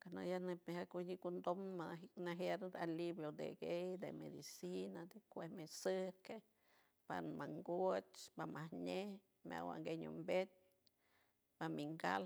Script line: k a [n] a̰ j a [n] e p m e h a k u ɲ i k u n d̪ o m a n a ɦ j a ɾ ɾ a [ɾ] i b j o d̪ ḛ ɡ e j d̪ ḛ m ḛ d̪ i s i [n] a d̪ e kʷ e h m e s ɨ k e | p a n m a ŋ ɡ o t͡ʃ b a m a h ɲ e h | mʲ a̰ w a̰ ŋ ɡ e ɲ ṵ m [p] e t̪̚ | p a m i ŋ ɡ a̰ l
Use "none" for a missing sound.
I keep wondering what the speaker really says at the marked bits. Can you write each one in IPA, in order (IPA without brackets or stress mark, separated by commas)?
n, n, l, n, b